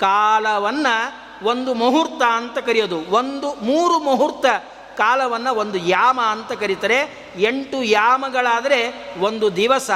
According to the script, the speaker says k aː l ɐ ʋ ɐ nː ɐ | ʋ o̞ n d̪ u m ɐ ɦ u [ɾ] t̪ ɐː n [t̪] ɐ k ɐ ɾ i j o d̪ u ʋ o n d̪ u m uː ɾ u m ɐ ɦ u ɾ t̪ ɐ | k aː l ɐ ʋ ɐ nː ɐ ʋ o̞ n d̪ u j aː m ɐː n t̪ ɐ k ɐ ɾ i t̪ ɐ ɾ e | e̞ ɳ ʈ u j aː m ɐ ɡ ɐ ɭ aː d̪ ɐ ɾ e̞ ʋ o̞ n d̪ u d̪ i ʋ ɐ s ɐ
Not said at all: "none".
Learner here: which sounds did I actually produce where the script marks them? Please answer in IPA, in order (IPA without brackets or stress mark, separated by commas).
ɾ, t̪